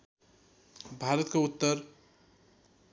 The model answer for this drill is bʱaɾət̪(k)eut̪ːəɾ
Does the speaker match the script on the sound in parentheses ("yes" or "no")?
yes